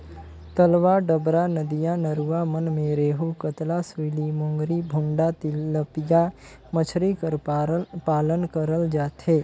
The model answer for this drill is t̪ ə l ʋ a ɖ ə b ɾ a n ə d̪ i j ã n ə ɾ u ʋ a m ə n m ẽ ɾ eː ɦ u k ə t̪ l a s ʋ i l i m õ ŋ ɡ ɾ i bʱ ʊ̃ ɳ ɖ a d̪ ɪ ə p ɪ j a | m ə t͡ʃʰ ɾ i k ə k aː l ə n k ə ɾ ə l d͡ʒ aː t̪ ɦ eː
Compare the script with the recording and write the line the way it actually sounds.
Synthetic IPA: t̪ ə l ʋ a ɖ ə b ɾ a n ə d̪ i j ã n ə ɾ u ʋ a m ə n m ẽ ɾ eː ɦ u k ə t̪ l a s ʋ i l i m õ ŋ ɡ ɾ i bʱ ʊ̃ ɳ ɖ a t̪ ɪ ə p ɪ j a | m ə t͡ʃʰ ɾ i k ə p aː l ə n k ə ɾ ə l d͡ʒ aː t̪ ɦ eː

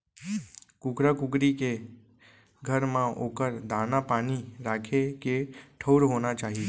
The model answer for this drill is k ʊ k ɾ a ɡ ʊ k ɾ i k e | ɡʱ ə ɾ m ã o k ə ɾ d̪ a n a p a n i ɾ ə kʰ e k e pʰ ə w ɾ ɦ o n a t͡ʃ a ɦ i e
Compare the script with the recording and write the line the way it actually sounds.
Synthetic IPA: k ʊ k ɾ a k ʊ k ɾ i k e | ɡʱ ə ɾ m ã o k ə ɾ d̪ a n a p a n i ɾ a kʰ e k e ʈʰ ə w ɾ ɦ o n a t͡ʃ a ɦ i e

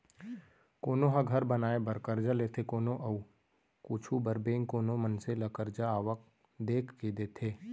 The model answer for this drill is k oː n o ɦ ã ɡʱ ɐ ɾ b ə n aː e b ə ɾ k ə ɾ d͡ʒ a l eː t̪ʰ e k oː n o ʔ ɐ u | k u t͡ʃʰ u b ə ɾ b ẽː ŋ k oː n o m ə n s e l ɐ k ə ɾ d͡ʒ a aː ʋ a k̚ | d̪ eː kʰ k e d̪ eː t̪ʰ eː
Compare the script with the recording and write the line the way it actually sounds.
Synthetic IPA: k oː n o ɦ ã ɡʱ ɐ ɾ b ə n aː e b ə ɾ k ə ɾ d͡ʒ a l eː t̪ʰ e k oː n o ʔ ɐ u | k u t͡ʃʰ u b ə ɾ b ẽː ŋ k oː n o m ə n s e l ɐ k ə ɾ d͡ʒ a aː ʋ ə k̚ | d̪ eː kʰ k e d̪ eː t̪ʰ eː

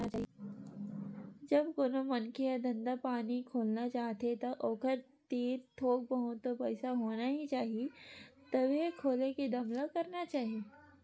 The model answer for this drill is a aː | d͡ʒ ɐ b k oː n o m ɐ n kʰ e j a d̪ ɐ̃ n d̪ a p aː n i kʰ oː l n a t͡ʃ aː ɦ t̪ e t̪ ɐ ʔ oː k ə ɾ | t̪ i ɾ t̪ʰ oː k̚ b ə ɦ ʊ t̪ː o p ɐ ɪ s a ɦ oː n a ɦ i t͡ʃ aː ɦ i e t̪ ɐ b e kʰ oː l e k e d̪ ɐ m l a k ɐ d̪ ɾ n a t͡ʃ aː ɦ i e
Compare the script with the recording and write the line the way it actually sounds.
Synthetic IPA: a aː | d͡ʒ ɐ b k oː n o m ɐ n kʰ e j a d̪ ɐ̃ n d̪ a p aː n i kʰ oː l n a t͡ʃ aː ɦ t̪ e t̪ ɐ ʔ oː k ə ɾ | t̪ iː ɾ t̪ʰ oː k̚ b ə ɦ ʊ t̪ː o p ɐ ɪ s a ɦ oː n a ɦ i t͡ʃ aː ɦ i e t̪ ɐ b e kʰ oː l e k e d̪ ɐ m l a k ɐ ɾ n a t͡ʃ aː ɦ i e

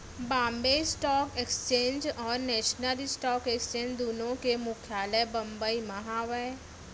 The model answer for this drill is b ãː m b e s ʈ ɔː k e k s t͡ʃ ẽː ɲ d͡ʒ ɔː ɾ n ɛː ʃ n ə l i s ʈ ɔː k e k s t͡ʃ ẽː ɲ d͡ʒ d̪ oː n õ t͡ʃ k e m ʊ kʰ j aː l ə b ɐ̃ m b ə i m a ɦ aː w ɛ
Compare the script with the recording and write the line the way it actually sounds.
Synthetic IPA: b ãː m b e s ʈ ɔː k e k s t͡ʃ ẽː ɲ d͡ʒ ɔː ɾ n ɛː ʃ n ə l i s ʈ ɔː k e k s t͡ʃ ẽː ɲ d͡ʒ d̪ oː n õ k e m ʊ kʰ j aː l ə b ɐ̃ m b ə i m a ɦ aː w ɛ

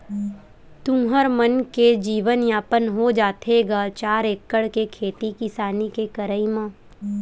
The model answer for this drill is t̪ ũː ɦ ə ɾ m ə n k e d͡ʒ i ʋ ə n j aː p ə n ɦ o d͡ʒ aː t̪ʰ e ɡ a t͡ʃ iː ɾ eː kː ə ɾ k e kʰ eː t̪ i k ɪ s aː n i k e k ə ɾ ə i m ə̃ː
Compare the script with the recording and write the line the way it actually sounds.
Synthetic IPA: t̪ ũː ɦ ə ɾ m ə n k e d͡ʒ iː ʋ ə n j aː p ə n ɦ o d͡ʒ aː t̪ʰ e ɡ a t͡ʃ aː ɾ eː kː ə ɽ k e kʰ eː t̪ i k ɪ s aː n i k e k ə ɾ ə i m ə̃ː

